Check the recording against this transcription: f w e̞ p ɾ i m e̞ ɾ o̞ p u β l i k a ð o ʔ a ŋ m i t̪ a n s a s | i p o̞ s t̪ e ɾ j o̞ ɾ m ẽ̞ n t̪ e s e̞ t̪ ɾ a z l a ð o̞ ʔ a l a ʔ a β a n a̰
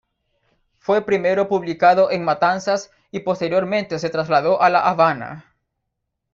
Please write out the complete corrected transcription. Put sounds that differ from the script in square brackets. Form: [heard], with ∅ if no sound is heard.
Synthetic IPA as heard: f w e̞ p ɾ i m e̞ ɾ o̞ p u β l i k a ð o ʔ [e] ŋ m [a] t̪ a n s a s | i p o̞ s t̪ e ɾ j o̞ ɾ m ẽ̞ n t̪ e s e̞ t̪ ɾ a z l a ð o̞ ʔ a l a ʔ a β a n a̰